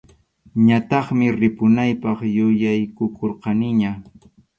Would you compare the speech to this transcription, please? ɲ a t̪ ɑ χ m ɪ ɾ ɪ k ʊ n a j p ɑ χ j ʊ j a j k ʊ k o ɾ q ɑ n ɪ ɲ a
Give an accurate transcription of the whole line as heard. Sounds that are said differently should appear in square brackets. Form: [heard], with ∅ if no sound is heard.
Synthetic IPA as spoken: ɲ a t̪ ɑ χ m ɪ ɾ ɪ [p] ʊ n a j p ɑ χ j ʊ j a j k ʊ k o ɾ q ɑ n ɪ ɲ a